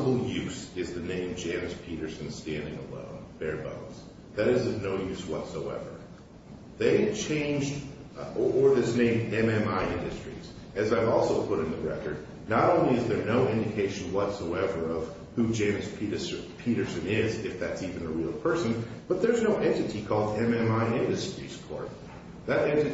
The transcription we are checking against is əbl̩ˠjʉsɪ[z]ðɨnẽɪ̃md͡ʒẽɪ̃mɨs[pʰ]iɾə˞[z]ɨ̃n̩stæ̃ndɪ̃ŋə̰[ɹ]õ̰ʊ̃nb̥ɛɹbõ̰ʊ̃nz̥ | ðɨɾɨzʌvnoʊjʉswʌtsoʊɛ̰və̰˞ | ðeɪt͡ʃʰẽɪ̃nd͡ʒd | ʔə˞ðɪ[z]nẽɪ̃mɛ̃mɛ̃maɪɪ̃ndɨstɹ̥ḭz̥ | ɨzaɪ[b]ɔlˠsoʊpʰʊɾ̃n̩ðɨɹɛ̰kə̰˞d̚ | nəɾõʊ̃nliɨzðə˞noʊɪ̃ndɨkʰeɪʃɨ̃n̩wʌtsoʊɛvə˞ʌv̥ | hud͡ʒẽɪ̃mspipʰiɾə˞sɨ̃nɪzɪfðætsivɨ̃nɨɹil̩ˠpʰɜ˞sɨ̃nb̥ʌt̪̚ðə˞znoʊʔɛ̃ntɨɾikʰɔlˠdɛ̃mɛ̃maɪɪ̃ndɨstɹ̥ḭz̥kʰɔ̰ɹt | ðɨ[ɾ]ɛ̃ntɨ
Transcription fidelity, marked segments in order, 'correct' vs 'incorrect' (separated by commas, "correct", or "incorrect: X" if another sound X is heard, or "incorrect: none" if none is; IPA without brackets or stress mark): correct, correct, incorrect: s, incorrect: l, incorrect: s, incorrect: v, correct